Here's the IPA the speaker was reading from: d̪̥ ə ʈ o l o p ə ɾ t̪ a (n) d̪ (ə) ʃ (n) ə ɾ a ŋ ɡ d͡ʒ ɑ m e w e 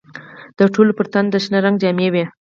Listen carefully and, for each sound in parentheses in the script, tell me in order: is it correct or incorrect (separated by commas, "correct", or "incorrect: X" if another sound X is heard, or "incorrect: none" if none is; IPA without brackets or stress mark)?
correct, correct, correct